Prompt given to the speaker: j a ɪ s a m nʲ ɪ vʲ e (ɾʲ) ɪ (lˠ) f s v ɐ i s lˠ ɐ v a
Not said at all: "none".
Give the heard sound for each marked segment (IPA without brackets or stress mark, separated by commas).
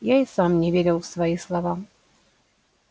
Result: ɾʲ, lˠ